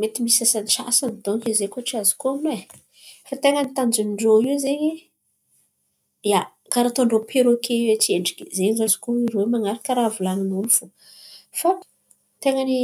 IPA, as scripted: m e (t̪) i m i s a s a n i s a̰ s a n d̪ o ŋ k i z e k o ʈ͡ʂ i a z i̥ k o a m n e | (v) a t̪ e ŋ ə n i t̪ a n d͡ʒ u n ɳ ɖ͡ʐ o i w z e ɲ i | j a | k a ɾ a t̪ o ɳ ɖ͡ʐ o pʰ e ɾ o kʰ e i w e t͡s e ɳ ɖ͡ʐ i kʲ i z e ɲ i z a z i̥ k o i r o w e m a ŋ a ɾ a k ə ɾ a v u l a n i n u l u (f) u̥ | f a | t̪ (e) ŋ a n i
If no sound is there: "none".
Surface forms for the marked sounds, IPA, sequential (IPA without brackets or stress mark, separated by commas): t̪, f, f, e